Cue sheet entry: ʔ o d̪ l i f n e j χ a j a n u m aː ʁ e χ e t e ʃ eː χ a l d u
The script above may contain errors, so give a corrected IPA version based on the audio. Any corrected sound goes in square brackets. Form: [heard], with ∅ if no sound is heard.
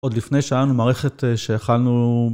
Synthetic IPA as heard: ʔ o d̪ l i f n e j [ʃ] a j a n u m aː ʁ e χ e t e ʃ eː χ a l [n] u